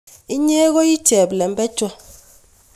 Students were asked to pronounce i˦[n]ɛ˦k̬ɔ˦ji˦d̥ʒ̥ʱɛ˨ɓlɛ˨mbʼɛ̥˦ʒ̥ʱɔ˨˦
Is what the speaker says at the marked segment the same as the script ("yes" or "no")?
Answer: no